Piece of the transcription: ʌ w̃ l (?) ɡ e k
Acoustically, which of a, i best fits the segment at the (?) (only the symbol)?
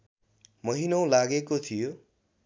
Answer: a